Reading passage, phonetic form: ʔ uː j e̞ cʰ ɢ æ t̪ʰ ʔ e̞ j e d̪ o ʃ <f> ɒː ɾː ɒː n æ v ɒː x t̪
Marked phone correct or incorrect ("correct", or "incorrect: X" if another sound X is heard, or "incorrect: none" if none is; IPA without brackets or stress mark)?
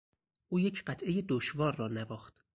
incorrect: v